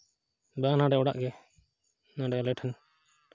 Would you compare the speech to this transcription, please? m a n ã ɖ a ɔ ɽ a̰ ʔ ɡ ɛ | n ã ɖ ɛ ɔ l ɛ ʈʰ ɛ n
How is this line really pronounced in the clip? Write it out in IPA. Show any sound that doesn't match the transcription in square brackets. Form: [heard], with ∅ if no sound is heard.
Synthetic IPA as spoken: [b] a n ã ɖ [ɛ] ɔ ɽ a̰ ʔ ɡ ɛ | n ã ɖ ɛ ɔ l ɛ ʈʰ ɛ n

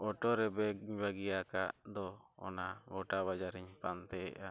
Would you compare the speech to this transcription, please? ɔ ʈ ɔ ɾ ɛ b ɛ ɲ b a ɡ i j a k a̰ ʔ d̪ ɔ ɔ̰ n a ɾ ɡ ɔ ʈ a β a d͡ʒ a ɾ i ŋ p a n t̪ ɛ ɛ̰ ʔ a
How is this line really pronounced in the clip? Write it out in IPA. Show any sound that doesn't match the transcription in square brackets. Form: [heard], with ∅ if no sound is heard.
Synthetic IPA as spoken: ɔ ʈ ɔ ɾ ɛ b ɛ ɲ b a ɡ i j a k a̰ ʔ d̪ ɔ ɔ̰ n a [∅] ɡ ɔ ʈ a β a d͡ʒ a ɾ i [ɲ] p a n t̪ ɛ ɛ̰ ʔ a

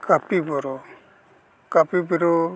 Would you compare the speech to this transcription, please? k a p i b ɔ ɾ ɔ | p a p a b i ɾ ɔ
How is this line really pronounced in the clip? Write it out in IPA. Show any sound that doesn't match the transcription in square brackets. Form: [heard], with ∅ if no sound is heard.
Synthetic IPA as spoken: k a p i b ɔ ɾ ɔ | [k] a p [i] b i ɾ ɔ

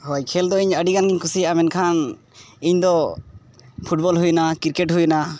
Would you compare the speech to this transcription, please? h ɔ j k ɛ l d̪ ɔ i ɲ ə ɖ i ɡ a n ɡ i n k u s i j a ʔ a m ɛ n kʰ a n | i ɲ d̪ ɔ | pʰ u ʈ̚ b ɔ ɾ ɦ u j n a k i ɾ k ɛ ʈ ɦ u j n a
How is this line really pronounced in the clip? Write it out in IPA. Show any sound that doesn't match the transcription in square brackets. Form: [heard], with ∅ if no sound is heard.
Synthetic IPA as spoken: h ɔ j [kʰ] ɛ l d̪ ɔ i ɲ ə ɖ i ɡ a n ɡ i [ɲ] k u s i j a ʔ a m ɛ n kʰ a n | i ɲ d̪ ɔ | pʰ u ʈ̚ b ɔ [l] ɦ u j n a k i ɾ k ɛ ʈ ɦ u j n a

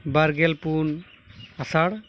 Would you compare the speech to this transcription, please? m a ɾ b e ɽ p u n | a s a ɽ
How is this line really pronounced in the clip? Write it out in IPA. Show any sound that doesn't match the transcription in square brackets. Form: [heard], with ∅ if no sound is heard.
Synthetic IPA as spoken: [b] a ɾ [ɡ] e [l] p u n | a s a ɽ

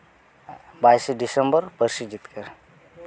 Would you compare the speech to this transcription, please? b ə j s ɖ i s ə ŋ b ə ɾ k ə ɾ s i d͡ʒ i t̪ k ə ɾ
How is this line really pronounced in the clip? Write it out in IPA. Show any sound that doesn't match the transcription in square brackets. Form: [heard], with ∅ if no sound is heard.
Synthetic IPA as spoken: b [a] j s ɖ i s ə [m] b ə ɾ [p] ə ɾ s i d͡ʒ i t̪ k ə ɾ

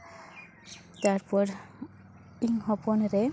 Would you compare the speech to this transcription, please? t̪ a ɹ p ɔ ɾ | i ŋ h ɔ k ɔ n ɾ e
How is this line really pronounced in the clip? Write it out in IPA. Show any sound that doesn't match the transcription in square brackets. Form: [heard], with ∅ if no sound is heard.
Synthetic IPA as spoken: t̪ a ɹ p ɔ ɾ | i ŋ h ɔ [p] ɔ n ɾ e

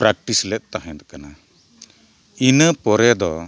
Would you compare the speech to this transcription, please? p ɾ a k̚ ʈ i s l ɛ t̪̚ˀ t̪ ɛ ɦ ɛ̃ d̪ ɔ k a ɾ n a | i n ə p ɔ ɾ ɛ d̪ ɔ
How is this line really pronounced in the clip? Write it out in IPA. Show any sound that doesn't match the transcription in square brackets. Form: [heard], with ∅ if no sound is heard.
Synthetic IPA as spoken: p ɾ a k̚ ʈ i s l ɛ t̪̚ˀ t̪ [a] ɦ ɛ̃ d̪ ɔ k a [∅] n a | i n ə p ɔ ɾ ɛ d̪ ɔ

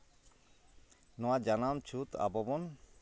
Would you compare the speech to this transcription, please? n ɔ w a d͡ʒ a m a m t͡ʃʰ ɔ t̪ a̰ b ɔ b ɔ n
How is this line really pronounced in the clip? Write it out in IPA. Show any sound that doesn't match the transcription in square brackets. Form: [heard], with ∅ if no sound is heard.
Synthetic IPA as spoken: n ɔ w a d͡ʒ a [n] a m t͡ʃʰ [u] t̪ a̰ b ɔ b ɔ n

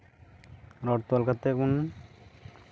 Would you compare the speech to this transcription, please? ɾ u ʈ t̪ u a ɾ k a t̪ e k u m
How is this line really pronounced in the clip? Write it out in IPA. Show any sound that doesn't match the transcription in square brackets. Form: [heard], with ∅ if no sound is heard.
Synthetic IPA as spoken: ɾ [ɔ] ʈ t̪ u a [l] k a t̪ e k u [n]

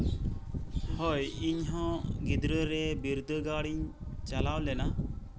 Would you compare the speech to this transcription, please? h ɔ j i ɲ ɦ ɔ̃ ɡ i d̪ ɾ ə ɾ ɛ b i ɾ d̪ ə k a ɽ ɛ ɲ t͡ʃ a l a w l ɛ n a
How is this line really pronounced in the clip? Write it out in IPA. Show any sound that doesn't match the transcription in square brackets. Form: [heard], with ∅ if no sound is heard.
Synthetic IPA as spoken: h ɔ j i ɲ ɦ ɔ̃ ɡ i d̪ ɾ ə ɾ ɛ b i ɾ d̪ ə [ɡ] a ɽ [i] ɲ t͡ʃ a l a w l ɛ n a

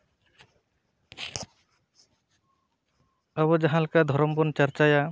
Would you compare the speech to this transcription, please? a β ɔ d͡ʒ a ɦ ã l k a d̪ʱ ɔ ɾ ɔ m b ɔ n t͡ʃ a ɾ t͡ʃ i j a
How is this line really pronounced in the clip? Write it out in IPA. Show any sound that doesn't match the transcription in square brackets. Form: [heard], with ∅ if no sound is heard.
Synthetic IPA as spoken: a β ɔ d͡ʒ a ɦ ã l k a d̪ʱ ɔ ɾ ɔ m b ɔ n t͡ʃ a ɾ t͡ʃ [a] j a

